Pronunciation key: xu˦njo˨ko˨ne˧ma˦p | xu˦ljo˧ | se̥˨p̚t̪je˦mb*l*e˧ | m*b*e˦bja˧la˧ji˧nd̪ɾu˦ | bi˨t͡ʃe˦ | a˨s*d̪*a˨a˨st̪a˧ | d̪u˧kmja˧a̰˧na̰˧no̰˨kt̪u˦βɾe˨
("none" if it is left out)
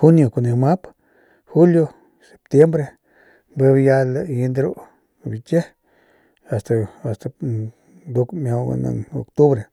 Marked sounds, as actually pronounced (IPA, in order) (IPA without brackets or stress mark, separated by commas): ɾ, b, t̪